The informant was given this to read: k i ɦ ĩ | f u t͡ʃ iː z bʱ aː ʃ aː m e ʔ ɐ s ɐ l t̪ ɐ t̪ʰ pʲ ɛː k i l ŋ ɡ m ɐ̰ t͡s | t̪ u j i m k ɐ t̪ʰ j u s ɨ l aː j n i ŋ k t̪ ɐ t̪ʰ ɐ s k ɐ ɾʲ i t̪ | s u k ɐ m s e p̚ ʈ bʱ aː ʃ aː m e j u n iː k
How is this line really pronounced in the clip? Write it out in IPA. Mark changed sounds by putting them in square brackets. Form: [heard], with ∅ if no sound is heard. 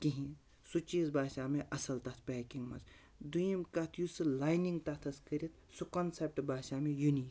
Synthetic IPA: k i ɦ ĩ | [s] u t͡ʃ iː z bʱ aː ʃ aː m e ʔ ɐ s ɐ l t̪ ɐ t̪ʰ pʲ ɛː k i [∅] ŋ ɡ m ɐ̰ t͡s | [d̪] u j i m k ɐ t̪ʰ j u s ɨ l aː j n i ŋ [ɡ] t̪ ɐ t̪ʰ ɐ s k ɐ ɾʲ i t̪ | s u k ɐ [n] s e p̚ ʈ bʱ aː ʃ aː m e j u n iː k